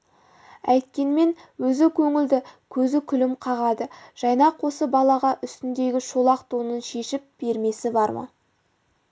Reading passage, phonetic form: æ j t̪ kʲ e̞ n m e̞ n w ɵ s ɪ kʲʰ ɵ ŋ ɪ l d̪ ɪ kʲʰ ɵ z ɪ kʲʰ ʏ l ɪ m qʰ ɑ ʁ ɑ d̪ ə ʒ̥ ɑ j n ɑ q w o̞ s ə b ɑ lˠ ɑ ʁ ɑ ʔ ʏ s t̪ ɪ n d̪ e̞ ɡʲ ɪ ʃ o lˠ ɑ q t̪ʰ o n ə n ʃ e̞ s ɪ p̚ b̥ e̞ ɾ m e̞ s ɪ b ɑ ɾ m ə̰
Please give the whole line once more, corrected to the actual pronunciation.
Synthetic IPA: æ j t̪ kʲ e̞ n m e̞ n w ɵ z ɪ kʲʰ ɵ ŋ ɪ l d̪ ɪ kʲʰ ɵ z ɪ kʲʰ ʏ l ɪ m qʰ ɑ ʁ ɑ d̪ ə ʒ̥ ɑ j n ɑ q w o̞ s ə b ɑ lˠ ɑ ʁ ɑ ʔ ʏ s t̪ ɪ n d̪ e̞ ɡʲ ɪ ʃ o lˠ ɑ q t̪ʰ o n ə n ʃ e̞ ʃ ɪ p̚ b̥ e̞ ɾ m e̞ s ɪ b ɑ ɾ m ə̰